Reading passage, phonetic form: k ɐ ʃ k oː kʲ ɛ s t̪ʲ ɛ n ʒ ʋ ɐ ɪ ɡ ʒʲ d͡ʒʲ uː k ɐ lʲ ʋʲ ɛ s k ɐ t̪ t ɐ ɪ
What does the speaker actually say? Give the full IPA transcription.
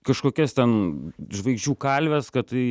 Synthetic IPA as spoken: k ɐ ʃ k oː kʲ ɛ s t̪ʲ ɛ n ʒ ʋ ɐ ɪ ɡ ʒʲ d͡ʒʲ uː k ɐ lʲ ʋʲ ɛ s k ɐ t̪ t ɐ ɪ